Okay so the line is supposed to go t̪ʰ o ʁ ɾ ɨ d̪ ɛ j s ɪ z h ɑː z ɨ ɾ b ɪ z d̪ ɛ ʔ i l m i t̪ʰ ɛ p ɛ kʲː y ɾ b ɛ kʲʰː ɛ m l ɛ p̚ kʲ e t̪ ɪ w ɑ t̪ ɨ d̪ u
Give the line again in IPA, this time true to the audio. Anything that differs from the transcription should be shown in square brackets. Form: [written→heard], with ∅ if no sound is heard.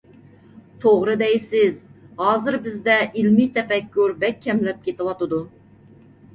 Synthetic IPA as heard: t̪ʰ o ʁ ɾ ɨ d̪ ɛ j s ɪ z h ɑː z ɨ ɾ b ɪ z d̪ ɛ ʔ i l m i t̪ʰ ɛ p ɛ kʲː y ɾ b ɛ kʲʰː ɛ m l ɛ p̚ kʲ e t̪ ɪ w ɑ t̪ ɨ d̪ u